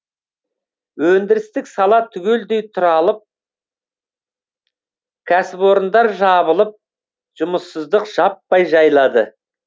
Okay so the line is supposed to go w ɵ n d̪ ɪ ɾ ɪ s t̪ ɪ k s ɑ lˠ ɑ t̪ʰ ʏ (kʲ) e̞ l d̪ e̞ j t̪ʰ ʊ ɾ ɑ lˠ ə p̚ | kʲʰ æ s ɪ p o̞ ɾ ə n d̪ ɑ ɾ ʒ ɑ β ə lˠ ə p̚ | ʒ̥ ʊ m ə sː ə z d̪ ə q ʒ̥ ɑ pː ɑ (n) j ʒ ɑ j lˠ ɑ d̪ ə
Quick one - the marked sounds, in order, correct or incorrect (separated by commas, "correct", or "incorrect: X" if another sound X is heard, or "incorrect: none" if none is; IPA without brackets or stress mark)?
incorrect: ɡʲ, incorrect: none